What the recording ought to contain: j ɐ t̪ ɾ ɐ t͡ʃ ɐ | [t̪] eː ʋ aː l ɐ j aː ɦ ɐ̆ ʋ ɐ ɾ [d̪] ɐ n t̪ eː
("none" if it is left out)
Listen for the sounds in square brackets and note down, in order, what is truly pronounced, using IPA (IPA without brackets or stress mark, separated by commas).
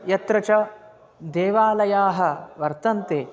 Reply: d̪, t̪